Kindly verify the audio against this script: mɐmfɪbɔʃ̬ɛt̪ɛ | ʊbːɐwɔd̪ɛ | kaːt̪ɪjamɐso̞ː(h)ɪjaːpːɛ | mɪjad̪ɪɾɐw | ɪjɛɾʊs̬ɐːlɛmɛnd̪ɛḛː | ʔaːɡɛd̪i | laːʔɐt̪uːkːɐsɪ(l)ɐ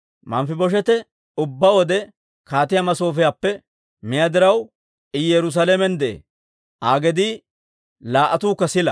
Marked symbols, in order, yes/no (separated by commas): no, yes